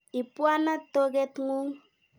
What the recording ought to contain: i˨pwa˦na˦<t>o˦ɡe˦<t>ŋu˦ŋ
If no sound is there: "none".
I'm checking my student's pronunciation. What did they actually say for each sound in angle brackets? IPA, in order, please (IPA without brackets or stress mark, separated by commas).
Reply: t, t